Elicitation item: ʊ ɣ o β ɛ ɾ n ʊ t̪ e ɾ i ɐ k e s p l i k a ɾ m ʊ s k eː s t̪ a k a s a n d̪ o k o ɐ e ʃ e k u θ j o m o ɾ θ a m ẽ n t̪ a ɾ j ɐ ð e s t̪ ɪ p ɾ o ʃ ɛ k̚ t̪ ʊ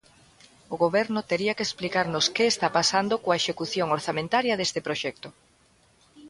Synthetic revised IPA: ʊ ɣ o β ɛ ɾ n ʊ t̪ e ɾ i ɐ k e s p l i k a ɾ n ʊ s k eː s t̪ a p a s a n d̪ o k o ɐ e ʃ e k u θ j o ŋ o ɾ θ a m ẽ n t̪ a ɾ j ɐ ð e s t̪ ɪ p ɾ o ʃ ɛ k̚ t̪ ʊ